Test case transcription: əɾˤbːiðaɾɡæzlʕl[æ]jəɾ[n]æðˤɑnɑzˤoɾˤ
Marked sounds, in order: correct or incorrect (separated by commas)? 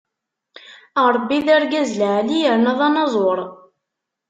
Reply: incorrect, correct